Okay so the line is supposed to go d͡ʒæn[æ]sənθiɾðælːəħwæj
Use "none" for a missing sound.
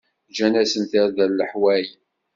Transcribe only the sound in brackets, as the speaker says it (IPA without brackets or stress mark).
æ